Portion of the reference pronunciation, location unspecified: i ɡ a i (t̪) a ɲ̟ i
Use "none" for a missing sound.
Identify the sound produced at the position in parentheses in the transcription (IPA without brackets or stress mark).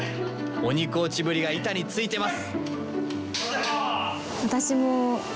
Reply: t̪